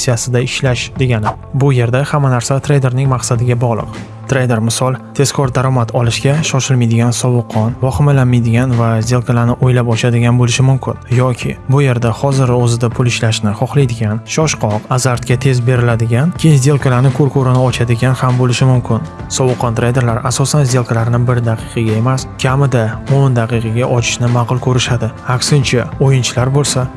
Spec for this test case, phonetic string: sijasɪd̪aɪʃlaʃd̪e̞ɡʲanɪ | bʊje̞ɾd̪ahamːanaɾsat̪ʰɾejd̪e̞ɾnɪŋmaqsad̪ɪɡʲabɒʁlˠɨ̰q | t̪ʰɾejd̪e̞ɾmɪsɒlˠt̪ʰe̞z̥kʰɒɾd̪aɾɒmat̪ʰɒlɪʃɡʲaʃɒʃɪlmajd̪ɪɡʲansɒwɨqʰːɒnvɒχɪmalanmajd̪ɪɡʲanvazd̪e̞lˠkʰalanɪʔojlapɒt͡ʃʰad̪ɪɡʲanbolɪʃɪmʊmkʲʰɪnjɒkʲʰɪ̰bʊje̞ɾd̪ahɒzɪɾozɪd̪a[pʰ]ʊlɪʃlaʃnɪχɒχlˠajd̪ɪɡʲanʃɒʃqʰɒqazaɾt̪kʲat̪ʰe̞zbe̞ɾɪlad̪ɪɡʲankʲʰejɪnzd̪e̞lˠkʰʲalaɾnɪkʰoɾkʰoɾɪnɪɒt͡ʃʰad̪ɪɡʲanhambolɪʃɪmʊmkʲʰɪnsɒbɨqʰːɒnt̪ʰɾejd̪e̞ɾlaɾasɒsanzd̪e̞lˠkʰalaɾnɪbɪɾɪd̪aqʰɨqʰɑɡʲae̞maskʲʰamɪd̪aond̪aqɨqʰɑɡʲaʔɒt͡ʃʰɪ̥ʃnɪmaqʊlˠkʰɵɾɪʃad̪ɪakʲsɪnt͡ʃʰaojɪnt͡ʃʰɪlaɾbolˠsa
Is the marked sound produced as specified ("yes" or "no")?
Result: yes